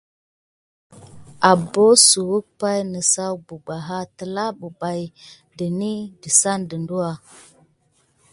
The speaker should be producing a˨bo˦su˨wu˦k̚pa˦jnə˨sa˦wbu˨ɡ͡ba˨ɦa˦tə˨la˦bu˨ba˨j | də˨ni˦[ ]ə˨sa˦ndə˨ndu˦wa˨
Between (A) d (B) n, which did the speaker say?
A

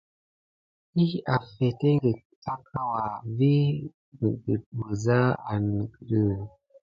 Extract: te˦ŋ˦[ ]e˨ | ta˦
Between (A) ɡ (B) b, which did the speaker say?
A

